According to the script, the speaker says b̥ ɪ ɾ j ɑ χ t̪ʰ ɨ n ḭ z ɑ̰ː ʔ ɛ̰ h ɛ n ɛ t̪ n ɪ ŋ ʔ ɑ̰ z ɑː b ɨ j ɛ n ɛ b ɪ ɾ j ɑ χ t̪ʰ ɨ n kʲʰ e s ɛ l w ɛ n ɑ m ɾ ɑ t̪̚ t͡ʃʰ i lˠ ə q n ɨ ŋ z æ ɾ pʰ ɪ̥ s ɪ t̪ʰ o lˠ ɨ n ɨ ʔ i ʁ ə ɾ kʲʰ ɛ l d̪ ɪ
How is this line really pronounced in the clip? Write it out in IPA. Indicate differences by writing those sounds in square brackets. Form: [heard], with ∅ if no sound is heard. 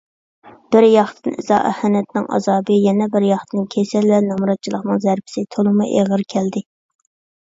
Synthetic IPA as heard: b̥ ɪ ɾ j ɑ χ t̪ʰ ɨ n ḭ z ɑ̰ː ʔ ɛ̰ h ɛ n ɛ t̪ n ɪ ŋ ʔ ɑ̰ z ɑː b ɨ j ɛ n ɛ b ɪ ɾ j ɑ χ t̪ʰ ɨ n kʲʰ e s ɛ l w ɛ n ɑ m ɾ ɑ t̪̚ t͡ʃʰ i lˠ ə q n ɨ ŋ z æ ɾ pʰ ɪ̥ s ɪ t̪ʰ o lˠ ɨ [m] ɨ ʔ [e] ʁ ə ɾ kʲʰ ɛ l d̪ ɪ